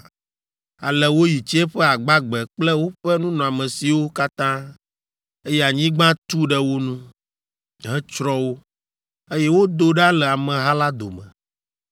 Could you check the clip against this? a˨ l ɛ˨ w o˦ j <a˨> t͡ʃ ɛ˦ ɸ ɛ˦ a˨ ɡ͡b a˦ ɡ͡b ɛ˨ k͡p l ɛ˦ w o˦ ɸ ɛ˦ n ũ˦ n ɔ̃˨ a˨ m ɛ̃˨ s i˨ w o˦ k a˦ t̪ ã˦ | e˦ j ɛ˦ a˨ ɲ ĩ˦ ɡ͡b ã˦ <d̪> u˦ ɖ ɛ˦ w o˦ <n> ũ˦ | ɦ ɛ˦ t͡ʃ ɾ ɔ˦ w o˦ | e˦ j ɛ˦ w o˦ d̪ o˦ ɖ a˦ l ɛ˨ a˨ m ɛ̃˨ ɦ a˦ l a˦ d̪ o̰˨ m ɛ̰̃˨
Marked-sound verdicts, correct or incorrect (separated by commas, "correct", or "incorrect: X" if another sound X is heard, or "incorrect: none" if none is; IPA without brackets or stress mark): incorrect: i˨, incorrect: t̪, correct